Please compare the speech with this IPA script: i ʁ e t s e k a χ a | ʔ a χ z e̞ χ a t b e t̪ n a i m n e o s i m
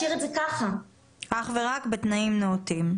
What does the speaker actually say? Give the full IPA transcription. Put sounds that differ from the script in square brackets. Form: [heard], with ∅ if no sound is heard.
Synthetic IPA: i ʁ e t [z] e k a χ a | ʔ a χ [v] e̞ [ʁ] a [k] b e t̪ n a i m n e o [t] i m